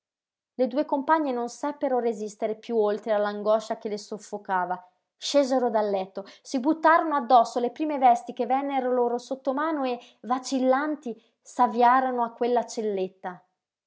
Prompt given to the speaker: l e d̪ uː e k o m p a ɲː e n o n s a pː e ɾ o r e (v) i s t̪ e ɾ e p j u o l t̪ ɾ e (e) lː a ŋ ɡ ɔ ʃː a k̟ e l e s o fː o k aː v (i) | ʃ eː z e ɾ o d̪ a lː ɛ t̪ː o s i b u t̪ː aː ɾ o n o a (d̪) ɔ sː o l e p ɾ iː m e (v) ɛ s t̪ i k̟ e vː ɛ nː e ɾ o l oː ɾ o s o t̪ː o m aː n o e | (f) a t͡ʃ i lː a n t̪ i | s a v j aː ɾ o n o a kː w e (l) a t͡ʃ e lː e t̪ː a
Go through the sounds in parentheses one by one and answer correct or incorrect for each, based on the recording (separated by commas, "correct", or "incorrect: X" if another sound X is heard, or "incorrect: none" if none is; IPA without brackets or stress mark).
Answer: incorrect: z, incorrect: a, incorrect: a, incorrect: d̪ː, correct, incorrect: v, incorrect: lː